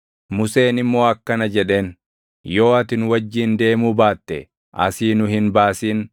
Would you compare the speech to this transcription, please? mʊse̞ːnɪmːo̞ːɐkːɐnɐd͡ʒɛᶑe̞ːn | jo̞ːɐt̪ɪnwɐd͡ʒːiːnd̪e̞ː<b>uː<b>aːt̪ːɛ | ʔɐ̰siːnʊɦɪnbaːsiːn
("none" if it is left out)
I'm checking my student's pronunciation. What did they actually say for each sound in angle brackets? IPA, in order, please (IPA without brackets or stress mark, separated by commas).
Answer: m, b